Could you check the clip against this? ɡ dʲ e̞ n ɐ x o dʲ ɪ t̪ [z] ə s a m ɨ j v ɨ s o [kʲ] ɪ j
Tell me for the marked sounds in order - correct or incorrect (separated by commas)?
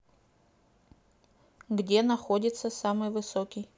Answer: incorrect, correct